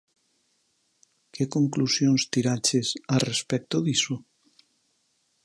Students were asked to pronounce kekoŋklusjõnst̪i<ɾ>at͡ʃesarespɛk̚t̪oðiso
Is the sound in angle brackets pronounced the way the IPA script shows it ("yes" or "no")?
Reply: yes